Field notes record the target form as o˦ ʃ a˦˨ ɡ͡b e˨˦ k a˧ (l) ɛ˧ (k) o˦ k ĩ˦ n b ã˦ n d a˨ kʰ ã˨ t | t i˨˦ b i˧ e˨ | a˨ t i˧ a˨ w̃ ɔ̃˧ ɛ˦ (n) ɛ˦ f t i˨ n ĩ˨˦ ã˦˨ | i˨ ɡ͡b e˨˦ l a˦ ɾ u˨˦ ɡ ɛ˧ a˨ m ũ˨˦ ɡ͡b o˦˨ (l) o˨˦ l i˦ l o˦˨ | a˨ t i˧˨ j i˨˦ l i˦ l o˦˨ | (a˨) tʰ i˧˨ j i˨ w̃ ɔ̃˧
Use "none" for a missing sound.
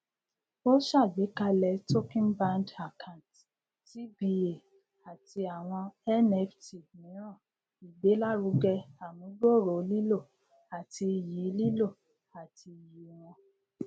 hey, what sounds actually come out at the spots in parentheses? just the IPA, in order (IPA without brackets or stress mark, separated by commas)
l, t, n, ɾ, a˨